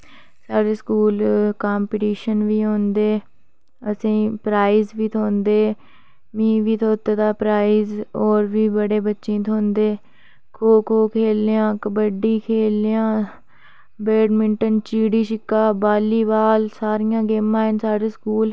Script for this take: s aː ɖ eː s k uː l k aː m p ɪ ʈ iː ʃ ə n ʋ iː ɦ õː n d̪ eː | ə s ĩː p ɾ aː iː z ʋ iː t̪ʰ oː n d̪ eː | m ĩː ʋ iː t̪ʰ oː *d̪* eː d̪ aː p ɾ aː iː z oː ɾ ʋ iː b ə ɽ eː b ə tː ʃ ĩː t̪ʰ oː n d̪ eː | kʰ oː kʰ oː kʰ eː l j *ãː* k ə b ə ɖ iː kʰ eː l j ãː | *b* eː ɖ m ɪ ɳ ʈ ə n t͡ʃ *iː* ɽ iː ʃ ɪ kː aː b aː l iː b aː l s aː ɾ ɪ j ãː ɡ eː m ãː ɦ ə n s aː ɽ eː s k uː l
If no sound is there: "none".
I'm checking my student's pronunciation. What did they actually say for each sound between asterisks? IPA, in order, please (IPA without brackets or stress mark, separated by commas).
t̪, ãː, b, iː